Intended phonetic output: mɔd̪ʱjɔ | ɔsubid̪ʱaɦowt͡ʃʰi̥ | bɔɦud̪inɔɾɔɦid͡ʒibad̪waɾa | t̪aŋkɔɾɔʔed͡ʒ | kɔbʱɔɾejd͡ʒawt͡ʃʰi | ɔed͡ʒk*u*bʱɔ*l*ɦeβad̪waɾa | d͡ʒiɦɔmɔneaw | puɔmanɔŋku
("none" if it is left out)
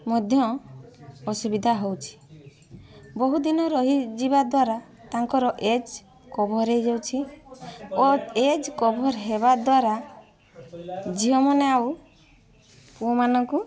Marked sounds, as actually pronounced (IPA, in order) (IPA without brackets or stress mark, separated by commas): ɔ, ɾ